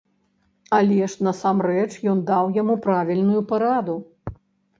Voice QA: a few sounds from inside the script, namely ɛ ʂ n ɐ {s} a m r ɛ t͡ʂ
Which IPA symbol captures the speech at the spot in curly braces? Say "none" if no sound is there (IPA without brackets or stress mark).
s